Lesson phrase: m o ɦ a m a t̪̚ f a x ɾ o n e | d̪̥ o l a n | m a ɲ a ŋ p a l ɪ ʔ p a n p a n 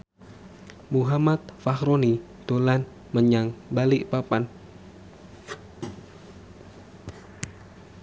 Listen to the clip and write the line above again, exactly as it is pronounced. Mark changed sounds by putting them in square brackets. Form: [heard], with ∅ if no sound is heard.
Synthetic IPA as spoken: m [u] ɦ a m a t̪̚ f a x ɾ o n [i] | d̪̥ o l a n | m [ə] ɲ a ŋ [b] a l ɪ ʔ p a [∅] p a n